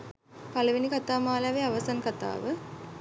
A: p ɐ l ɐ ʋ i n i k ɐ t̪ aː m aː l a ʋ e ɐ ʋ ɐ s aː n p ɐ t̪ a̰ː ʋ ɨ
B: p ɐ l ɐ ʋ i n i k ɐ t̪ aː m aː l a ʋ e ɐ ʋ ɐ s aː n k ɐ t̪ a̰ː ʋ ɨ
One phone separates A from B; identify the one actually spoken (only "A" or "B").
B